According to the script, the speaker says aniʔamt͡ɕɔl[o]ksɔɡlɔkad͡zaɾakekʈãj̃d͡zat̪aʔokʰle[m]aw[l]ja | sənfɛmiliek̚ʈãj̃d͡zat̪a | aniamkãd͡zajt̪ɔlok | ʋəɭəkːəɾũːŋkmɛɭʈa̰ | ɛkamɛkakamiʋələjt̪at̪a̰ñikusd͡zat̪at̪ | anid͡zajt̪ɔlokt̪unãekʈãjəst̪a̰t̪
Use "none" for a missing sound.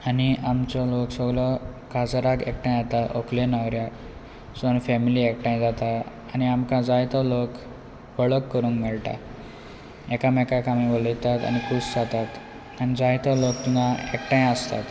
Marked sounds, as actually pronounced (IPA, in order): o, n, ɾ

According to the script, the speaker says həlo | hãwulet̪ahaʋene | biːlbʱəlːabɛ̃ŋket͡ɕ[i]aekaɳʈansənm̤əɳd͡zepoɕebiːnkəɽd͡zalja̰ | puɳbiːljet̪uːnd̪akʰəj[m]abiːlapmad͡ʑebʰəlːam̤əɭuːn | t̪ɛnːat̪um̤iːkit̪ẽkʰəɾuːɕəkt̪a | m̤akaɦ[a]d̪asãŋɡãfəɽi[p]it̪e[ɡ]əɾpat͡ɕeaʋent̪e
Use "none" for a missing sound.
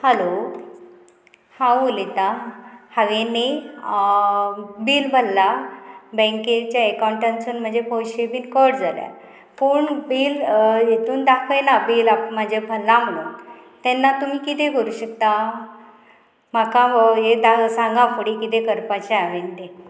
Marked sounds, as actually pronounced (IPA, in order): j, n, e, k, k

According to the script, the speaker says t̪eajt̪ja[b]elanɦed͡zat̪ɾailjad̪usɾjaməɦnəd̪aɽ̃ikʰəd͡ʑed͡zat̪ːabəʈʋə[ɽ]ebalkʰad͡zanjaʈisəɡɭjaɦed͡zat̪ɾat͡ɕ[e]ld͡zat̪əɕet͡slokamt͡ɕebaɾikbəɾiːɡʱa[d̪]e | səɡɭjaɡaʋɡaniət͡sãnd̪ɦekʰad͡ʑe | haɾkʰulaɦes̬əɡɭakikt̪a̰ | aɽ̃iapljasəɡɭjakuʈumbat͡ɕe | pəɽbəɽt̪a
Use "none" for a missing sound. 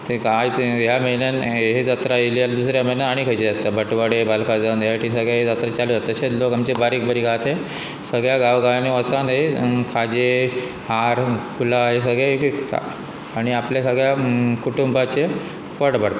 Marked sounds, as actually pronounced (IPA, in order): m, ɽ, a, t̪

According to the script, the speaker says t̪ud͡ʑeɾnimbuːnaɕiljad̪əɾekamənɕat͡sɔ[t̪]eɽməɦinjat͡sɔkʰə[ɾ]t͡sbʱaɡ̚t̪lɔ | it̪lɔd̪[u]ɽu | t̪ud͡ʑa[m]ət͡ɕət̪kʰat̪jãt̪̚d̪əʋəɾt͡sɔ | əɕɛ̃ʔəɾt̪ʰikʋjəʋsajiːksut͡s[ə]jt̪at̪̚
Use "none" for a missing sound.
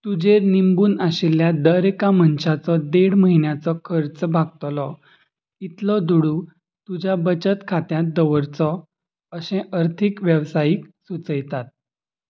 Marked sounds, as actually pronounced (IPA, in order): d̪, ɾ, u, b, ə

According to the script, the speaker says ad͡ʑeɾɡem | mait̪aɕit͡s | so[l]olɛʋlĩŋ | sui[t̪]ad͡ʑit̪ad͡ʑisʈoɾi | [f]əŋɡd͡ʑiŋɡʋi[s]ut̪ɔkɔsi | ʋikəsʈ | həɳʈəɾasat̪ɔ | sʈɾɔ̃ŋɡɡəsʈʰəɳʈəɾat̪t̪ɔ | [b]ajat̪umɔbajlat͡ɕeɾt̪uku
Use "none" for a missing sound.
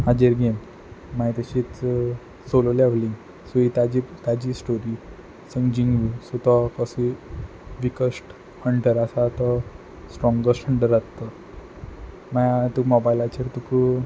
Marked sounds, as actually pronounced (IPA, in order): l, t̪, s, s, m

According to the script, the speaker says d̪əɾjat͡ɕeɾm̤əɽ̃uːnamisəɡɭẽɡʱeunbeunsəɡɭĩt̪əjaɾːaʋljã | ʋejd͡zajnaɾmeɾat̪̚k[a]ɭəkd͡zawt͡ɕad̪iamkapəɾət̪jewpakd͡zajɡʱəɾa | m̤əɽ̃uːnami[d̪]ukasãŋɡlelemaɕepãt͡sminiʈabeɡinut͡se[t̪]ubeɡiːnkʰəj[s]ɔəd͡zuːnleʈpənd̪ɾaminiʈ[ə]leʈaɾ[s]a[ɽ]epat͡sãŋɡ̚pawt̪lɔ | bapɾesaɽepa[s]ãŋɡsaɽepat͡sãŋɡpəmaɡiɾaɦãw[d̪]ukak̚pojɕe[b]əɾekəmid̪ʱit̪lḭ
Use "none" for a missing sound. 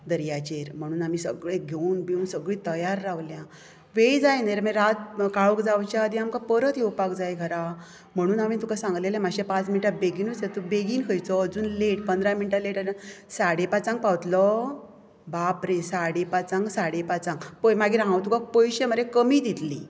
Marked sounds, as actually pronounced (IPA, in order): a, t̪, t̪, t͡s, a, s, ɽ, t͡s, t̪, m

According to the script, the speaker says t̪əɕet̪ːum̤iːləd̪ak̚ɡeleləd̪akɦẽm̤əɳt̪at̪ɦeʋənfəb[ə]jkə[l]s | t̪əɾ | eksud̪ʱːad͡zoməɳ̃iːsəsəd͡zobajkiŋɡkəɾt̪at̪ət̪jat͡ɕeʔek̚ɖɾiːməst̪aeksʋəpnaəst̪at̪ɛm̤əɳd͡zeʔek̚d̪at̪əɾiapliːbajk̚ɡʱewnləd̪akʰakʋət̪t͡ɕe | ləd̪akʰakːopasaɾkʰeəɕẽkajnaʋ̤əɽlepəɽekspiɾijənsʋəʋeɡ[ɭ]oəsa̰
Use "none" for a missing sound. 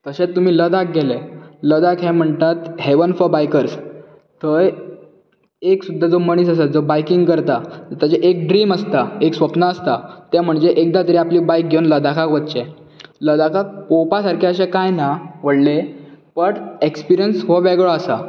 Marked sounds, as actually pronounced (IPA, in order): a, ɾ, ɭ

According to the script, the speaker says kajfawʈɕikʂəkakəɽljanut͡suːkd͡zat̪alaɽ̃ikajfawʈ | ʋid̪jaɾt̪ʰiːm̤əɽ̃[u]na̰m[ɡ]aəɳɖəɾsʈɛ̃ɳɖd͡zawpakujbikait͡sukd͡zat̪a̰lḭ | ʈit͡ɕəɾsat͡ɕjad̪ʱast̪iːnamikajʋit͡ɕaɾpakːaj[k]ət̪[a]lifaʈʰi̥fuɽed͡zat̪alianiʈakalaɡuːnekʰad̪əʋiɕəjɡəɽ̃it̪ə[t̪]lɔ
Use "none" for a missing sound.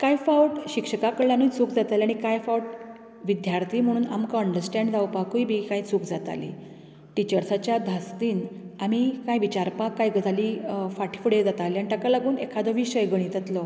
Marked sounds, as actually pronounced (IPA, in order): uː, k, ɡ, a, t̪

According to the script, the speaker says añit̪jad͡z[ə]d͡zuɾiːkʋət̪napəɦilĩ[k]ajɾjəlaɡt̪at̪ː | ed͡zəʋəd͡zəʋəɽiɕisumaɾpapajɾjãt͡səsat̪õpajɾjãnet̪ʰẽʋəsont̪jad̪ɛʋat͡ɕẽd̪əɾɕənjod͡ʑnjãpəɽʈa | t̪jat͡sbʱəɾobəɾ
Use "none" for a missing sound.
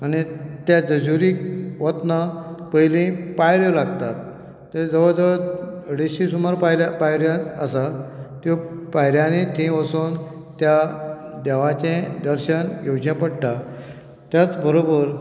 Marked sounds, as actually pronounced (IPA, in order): ə, p

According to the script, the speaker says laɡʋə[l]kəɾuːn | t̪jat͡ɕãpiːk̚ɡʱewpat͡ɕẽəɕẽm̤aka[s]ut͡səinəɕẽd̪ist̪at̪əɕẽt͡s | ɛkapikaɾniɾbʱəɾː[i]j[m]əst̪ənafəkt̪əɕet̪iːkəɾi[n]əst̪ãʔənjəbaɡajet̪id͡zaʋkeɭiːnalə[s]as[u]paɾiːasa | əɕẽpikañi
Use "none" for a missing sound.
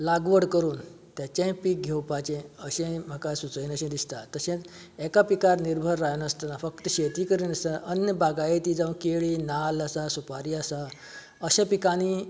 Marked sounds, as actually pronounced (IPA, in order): ɽ, s, a, n, n, s, u

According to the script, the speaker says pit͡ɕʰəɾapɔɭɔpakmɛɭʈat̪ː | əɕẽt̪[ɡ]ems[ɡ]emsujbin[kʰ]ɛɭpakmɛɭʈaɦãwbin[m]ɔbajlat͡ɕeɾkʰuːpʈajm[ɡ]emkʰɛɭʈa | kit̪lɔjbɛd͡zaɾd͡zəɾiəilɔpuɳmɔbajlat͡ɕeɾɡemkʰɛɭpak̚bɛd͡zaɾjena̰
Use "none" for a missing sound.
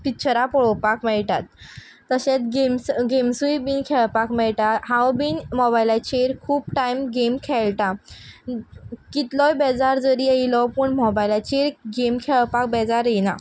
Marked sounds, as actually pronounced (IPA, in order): ɡ, ɡ, kʰ, m, ɡ

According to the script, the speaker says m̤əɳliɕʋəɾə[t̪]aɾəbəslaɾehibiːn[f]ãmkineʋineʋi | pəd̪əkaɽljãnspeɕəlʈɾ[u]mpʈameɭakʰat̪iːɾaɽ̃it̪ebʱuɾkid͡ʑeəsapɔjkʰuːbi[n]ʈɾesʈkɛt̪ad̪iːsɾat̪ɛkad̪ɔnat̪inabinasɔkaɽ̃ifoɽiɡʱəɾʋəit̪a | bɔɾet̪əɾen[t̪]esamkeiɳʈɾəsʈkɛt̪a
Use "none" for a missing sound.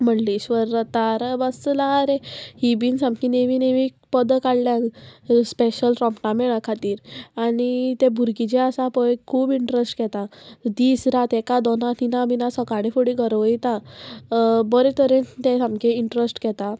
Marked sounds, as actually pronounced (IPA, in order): t̪, s, ɔ, ɳ, t̪

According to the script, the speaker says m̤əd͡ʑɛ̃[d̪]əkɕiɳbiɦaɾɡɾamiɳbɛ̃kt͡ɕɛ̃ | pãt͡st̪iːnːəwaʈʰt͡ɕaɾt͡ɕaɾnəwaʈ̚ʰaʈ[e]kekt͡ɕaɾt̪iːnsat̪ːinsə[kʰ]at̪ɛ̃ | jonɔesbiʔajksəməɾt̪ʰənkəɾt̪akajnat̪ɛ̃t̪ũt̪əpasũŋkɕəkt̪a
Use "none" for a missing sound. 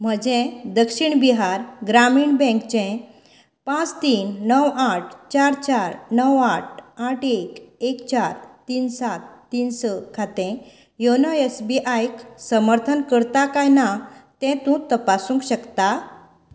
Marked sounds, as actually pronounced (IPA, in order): d̪, e, kʰ

